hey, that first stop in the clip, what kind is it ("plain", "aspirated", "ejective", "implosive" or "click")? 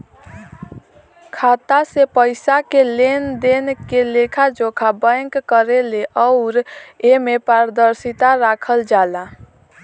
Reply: aspirated